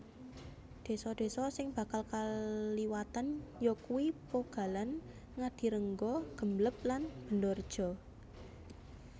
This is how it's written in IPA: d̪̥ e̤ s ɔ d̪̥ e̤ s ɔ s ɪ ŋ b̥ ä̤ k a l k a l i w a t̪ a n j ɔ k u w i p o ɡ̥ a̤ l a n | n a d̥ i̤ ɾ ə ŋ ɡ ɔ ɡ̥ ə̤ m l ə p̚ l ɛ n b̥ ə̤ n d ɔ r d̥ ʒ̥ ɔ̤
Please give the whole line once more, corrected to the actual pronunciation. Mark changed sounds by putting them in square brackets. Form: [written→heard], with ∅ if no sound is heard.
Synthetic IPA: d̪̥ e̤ s ɔ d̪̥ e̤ s ɔ s ɪ ŋ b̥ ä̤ k a l k a l i w a t̪ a n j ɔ k u w i p o ɡ̥ a̤ l a n | [n→ŋ] a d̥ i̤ ɾ ə ŋ ɡ ɔ ɡ̥ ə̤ m l ə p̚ l [ɛ→a] n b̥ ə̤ n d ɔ r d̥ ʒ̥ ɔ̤